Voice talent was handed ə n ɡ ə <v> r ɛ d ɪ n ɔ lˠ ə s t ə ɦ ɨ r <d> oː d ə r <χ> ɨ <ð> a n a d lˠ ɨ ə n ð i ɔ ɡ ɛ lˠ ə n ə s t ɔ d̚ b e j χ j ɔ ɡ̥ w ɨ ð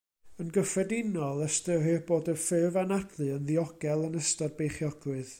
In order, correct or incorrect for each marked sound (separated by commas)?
incorrect, incorrect, incorrect, incorrect